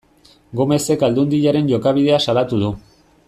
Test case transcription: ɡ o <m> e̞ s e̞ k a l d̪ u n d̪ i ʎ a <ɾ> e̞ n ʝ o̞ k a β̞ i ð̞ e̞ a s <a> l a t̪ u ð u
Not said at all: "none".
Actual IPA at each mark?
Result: m, ɾ, a

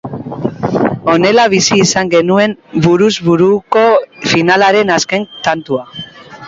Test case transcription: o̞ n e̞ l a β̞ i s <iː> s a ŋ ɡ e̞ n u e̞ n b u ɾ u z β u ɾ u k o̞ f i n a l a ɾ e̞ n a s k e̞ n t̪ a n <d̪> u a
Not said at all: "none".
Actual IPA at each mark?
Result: iː, t̪

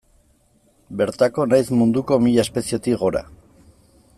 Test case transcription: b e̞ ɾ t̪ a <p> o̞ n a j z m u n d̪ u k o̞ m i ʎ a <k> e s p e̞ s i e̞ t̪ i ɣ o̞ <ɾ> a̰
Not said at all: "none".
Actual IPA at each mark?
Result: k, none, ɾ

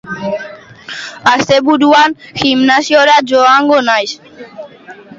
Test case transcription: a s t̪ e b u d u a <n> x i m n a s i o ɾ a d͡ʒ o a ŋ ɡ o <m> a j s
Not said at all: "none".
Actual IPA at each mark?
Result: n, n

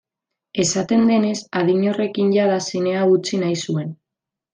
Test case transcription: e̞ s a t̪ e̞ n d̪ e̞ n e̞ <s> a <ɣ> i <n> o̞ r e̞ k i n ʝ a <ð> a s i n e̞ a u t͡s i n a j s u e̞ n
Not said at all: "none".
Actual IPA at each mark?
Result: s, ð, ɲ, ð

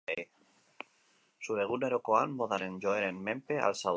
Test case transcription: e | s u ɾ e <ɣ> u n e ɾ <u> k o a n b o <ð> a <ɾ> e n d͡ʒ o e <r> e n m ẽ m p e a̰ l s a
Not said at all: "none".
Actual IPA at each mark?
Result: ɣ, o, ð, ɾ, ɾ

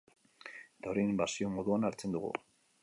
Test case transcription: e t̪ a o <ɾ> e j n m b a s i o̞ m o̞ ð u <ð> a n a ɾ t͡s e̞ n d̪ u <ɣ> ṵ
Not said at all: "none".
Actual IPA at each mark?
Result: ɾ, none, ɣ

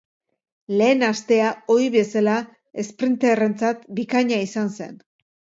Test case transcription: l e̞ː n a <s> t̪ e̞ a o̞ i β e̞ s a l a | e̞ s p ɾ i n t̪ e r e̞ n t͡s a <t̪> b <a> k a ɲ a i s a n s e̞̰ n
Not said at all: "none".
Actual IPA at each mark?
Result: s, t̪, i

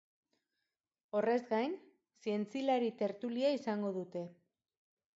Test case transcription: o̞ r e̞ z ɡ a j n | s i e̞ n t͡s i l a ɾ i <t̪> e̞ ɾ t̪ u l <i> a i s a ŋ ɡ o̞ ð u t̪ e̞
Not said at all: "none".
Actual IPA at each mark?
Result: t̪, i

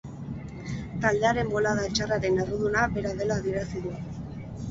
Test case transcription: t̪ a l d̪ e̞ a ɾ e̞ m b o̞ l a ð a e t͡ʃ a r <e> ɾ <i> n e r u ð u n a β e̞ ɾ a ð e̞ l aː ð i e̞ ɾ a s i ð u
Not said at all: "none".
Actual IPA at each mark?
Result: a, e

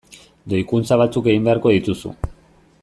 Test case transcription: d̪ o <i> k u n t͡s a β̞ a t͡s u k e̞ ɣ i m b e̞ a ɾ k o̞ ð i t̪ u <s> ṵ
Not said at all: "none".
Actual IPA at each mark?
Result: j, s

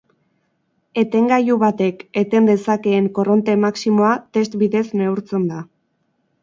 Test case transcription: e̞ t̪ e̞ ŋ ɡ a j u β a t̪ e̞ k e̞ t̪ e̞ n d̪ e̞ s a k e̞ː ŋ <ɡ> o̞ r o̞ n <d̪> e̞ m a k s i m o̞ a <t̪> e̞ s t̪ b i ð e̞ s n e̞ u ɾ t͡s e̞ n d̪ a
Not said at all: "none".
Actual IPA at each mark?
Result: k, t̪, t̪

